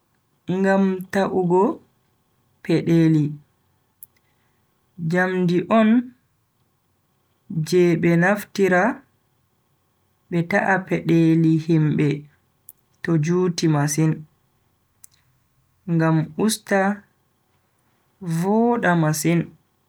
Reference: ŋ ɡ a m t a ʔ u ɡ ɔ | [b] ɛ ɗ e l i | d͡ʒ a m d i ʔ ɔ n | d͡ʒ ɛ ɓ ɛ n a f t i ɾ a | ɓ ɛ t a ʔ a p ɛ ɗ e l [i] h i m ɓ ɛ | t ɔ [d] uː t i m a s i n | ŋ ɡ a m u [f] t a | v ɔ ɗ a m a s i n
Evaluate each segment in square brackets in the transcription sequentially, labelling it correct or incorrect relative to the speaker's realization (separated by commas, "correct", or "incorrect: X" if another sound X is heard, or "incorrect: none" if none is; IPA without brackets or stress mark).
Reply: incorrect: p, correct, incorrect: d͡ʒ, incorrect: s